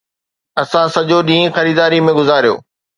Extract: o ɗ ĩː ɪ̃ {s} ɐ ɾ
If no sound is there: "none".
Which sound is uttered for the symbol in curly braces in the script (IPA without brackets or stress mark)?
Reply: x